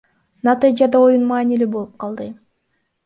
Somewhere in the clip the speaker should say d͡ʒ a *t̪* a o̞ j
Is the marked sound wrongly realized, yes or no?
yes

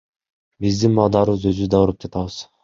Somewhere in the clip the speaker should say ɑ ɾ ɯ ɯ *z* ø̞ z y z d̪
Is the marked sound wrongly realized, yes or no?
no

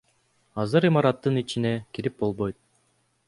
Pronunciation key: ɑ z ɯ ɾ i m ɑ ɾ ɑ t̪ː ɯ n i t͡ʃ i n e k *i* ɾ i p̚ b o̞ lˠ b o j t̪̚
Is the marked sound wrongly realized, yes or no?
no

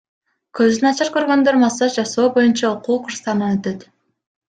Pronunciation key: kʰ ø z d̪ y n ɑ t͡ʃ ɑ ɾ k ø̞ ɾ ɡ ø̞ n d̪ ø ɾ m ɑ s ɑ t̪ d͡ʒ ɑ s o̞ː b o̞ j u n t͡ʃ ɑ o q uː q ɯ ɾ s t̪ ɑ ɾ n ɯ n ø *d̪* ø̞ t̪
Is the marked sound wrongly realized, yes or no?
yes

